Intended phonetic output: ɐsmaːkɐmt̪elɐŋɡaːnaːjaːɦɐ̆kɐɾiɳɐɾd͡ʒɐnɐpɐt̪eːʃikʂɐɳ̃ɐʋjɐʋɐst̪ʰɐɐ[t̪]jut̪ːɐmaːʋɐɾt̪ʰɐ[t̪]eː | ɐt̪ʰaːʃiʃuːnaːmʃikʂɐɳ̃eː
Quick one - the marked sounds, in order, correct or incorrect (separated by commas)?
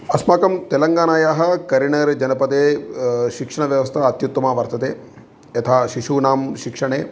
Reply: correct, correct